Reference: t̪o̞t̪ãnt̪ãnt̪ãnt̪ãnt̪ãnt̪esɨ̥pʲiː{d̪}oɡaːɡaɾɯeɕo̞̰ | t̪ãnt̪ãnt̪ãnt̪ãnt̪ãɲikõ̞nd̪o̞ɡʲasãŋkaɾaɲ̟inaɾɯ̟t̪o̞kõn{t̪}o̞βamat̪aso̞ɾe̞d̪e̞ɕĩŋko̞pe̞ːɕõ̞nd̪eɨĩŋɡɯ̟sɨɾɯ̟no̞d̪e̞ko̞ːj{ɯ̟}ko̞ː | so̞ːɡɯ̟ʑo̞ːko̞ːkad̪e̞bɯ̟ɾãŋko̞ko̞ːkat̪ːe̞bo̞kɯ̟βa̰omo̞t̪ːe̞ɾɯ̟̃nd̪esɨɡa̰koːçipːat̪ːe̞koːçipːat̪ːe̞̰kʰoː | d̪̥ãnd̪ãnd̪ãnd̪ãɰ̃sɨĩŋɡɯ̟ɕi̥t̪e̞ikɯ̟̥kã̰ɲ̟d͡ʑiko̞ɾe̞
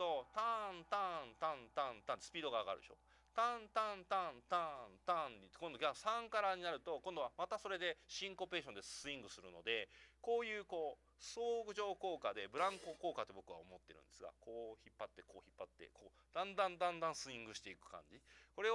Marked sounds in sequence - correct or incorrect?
correct, incorrect: d̪, incorrect: ɯ̟ː

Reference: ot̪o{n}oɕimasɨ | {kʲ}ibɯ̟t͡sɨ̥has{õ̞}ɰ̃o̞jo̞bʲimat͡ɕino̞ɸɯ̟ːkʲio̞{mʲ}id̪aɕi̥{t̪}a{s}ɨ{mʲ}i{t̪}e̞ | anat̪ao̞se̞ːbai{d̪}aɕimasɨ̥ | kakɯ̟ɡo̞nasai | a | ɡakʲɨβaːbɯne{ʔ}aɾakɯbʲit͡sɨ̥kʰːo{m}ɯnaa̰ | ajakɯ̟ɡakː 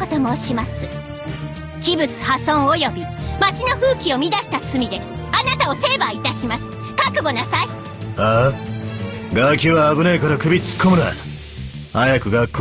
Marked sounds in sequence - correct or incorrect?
incorrect: m, correct, correct, correct, correct, incorrect: t͡s, correct, incorrect: d̪, incorrect: t̪, incorrect: k, correct

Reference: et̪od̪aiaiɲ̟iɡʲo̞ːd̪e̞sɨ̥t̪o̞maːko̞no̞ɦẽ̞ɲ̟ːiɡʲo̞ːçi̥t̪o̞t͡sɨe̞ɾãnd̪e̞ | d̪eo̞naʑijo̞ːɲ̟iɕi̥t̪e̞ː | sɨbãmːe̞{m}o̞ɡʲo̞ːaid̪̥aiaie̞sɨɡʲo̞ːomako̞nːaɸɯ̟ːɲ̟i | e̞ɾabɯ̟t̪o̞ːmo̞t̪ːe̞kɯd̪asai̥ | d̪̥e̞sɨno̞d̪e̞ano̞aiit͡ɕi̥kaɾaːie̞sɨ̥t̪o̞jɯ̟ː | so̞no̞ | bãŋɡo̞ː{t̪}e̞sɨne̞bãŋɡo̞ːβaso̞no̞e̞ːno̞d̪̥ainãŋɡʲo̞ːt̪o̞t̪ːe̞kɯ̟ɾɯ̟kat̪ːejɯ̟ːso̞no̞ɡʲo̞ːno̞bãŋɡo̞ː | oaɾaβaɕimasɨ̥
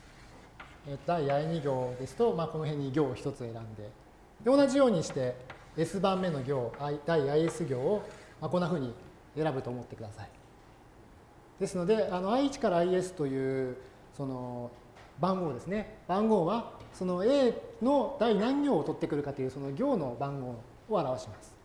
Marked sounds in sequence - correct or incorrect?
incorrect: n, incorrect: d̪

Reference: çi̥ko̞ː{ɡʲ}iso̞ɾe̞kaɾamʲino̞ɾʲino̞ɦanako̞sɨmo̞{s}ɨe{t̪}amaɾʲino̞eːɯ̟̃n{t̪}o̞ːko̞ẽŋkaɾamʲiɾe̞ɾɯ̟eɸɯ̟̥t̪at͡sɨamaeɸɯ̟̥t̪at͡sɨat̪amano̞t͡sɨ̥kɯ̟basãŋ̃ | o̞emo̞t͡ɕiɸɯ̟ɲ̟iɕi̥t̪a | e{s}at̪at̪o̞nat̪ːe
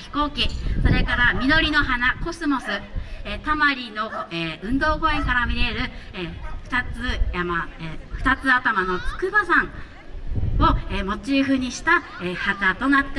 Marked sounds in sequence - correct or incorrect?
incorrect: kʲ, correct, correct, incorrect: d̪, incorrect: h

